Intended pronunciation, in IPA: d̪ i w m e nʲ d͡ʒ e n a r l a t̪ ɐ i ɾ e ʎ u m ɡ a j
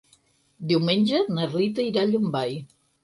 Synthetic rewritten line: d̪ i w m e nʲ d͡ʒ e n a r l i t̪ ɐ i ɾ a ʎ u m b a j